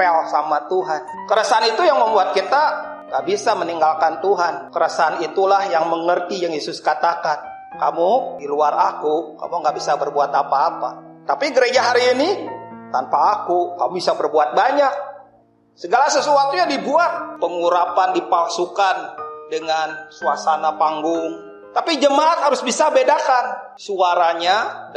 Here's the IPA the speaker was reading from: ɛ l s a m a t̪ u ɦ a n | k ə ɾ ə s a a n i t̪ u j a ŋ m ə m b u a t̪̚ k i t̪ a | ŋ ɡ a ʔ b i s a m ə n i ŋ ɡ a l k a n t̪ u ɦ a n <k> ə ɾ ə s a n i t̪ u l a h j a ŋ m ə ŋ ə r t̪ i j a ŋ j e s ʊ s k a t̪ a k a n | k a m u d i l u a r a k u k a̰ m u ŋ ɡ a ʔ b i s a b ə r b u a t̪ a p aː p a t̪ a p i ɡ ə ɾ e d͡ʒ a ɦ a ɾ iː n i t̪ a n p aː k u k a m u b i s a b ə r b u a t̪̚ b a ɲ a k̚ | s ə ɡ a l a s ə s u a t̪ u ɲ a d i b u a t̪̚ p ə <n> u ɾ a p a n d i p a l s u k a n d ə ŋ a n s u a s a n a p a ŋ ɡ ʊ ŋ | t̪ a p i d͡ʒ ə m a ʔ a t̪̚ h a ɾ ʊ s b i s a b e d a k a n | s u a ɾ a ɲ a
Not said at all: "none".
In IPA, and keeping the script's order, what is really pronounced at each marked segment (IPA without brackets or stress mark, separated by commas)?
k, ŋ